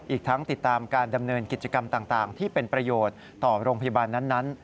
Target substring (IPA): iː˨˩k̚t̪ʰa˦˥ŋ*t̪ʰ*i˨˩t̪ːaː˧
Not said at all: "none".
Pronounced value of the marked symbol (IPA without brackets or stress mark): t̪